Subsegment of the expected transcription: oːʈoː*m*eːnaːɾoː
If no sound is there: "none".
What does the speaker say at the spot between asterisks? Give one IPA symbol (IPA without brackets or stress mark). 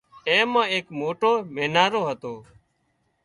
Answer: m